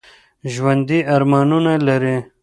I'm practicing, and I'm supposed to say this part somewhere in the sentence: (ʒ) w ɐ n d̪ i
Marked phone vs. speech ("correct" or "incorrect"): correct